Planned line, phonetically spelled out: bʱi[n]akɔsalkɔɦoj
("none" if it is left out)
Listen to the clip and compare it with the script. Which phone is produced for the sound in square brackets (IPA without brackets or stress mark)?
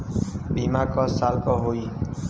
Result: m